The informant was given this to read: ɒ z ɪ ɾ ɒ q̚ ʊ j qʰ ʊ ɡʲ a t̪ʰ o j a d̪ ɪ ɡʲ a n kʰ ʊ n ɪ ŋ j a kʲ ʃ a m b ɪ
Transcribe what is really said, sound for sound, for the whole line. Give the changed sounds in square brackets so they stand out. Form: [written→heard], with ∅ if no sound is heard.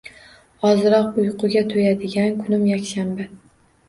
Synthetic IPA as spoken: ɒ z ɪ ɾ ɒ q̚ ʊ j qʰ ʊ ɡʲ a t̪ʰ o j a d̪ ɪ ɡʲ a n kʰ ʊ n ɪ [ŋ→m] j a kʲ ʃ a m b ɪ